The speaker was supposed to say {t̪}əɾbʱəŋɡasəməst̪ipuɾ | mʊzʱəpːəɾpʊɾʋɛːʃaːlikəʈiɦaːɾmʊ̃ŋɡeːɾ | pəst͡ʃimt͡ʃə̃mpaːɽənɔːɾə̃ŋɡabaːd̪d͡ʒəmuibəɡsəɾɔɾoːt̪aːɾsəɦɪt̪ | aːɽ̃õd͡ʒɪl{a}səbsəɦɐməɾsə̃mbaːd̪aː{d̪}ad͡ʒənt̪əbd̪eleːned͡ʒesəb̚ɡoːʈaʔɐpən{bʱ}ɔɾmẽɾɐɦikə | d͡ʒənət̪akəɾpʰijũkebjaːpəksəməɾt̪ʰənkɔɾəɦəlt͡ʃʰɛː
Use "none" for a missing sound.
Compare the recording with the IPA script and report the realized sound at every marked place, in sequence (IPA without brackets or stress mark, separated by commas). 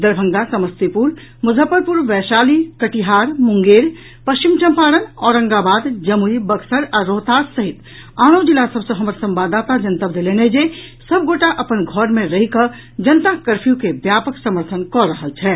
d̪, a, t̪, ɡʱ